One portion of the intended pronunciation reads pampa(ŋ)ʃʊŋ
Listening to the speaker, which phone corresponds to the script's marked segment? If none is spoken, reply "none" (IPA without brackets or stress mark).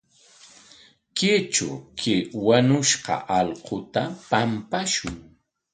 none